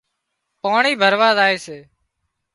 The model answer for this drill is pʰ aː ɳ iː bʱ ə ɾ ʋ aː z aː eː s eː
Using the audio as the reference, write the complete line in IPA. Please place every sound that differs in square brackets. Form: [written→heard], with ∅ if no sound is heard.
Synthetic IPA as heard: [pʰ→p] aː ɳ iː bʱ ə ɾ ʋ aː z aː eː s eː